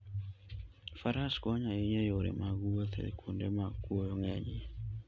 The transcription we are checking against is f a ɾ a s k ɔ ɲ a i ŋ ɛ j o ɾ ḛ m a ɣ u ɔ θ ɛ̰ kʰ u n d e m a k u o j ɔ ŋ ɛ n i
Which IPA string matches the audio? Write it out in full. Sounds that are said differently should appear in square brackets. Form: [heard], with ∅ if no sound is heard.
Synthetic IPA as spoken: f a ɾ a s k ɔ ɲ a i [ɲ] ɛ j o ɾ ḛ m a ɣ u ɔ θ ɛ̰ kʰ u n d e m a k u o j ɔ ŋ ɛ [ɲ] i